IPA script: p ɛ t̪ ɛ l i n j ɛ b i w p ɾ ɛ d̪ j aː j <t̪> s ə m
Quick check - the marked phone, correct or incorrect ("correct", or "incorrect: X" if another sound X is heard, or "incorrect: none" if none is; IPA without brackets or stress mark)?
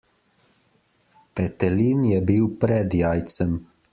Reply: correct